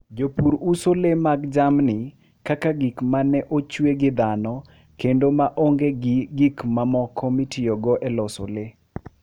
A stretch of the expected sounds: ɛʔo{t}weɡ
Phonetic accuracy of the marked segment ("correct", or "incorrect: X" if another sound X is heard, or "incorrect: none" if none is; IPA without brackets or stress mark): incorrect: t͡ʃ